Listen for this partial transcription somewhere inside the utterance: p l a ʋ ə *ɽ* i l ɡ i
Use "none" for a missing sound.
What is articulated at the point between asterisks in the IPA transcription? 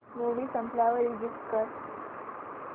ɾ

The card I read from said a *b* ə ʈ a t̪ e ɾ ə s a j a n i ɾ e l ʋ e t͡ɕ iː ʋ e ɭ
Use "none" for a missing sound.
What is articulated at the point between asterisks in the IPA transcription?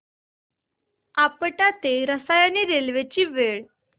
p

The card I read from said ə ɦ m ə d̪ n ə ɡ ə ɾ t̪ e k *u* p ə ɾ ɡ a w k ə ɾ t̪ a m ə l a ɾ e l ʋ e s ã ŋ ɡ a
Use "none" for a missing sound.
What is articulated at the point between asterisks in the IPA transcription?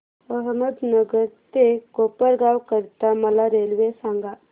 o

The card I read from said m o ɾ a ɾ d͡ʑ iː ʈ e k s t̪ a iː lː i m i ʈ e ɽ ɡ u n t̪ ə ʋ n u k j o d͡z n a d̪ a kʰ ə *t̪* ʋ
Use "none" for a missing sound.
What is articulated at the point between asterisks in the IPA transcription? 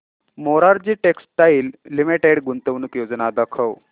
none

